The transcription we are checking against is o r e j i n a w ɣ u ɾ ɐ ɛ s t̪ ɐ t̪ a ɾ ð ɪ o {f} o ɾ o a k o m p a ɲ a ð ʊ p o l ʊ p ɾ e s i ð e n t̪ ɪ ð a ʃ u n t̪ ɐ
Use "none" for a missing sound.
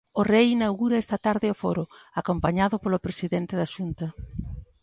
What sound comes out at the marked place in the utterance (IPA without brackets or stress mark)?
f